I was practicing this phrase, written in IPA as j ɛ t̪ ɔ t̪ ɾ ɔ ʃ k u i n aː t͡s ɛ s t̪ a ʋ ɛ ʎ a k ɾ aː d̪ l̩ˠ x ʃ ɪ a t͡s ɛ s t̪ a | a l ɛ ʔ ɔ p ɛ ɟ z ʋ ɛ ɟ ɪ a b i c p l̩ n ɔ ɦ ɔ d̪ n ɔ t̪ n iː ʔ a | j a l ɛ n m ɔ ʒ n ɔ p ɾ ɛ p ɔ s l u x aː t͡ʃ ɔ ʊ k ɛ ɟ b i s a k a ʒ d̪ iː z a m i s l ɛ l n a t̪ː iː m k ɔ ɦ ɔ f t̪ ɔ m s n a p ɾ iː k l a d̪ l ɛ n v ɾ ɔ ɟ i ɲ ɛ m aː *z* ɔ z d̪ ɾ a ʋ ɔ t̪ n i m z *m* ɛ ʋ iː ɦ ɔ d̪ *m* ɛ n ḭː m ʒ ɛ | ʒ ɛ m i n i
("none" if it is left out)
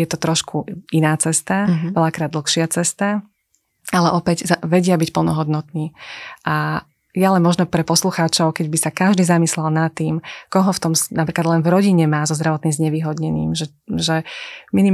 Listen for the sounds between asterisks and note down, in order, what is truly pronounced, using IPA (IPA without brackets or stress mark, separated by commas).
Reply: z, ɲ, ɲ